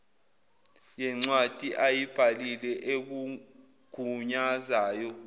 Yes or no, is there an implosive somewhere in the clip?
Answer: no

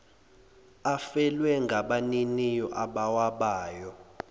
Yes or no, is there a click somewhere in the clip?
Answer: no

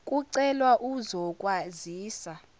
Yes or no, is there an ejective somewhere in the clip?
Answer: yes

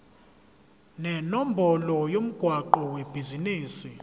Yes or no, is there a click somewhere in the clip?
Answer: yes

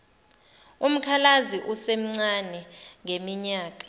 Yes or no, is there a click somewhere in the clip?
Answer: yes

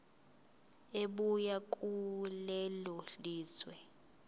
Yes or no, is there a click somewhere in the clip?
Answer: no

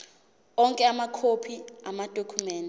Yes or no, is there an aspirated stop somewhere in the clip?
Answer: yes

